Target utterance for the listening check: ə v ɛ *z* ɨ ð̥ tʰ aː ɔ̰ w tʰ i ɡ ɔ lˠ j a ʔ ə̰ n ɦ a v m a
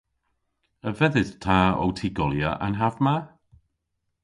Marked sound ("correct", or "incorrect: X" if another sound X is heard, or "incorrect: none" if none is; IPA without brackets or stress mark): incorrect: ð